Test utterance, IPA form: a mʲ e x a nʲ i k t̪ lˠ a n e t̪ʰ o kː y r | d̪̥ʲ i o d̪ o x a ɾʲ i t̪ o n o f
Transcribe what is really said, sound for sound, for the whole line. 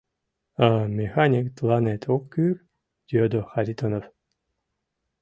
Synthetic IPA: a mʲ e x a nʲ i k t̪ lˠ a n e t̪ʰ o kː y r | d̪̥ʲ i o d̪ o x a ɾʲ i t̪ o n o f